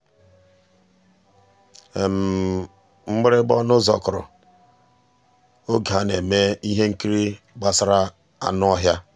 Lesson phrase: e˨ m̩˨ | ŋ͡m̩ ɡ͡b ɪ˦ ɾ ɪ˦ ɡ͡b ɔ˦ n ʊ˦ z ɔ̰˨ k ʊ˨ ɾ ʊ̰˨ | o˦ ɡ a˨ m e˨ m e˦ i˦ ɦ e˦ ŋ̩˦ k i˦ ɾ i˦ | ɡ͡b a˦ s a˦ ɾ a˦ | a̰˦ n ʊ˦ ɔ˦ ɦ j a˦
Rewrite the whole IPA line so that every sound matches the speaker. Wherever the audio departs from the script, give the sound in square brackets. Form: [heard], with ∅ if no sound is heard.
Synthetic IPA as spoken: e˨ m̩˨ | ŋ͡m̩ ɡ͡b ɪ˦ ɾ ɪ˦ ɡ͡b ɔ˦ n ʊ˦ z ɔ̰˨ k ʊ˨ ɾ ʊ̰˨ | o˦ ɡ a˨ [n] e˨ m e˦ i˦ ɦ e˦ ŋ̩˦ k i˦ ɾ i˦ | ɡ͡b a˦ s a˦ ɾ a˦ | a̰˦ n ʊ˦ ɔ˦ ɦ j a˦